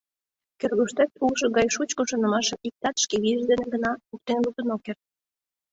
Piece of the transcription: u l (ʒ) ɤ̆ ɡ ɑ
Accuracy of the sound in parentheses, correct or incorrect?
incorrect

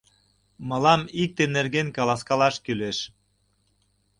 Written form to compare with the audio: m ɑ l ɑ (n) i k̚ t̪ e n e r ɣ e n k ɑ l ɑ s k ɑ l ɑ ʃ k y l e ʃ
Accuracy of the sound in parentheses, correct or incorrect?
incorrect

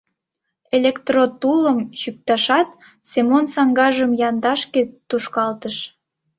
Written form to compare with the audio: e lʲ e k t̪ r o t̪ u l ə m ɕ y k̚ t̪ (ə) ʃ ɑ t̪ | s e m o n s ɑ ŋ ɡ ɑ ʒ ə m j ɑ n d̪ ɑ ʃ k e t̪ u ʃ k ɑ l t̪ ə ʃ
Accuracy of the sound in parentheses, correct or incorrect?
incorrect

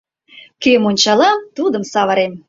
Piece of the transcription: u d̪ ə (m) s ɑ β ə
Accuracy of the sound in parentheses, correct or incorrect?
correct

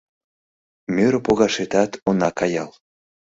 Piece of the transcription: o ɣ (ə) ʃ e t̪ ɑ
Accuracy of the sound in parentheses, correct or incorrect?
incorrect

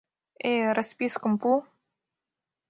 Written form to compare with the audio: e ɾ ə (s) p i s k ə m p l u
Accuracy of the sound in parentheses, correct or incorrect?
correct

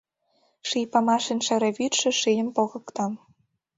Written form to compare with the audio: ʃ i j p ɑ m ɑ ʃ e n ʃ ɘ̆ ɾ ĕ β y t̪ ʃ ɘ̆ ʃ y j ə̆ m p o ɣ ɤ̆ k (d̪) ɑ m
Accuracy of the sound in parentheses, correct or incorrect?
incorrect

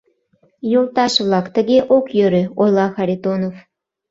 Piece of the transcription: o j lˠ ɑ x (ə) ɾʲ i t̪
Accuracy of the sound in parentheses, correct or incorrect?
incorrect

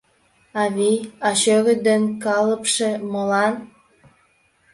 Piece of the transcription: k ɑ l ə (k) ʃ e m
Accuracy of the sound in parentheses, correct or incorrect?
incorrect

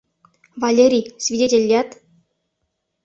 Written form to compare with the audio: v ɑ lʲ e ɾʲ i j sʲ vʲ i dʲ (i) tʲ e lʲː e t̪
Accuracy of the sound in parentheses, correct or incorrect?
incorrect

